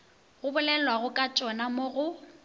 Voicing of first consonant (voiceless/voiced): voiced